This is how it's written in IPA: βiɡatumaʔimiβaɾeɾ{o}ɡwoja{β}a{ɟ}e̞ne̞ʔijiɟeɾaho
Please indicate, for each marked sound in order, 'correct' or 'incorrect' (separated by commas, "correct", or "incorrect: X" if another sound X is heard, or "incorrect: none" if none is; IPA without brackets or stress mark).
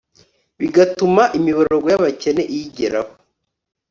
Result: correct, correct, incorrect: c